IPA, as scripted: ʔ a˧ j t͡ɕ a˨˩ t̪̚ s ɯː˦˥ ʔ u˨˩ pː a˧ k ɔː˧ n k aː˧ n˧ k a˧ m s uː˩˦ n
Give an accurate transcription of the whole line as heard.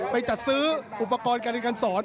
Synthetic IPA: p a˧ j t͡ɕ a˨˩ t̪̚ s ɯː˦˥ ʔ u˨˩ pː a˧ k ɔː˧ n k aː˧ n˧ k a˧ n s ɔː˩˦ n